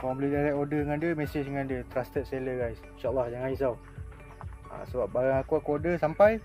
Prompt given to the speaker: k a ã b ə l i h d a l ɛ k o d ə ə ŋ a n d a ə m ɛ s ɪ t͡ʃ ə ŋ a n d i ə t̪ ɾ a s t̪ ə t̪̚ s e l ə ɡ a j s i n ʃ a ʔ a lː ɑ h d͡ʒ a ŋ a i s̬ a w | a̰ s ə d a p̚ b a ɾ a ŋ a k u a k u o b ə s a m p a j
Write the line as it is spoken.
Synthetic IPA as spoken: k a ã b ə l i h d a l ɛ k o d ə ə ŋ a n d i ə m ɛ s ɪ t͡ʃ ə ŋ a n d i ə t̪ ɾ a s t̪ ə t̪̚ s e l ə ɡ a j s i n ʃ a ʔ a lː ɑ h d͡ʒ a ŋ a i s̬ a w | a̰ s ə b a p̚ b a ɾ a ŋ a k u a k u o d ə s a m p a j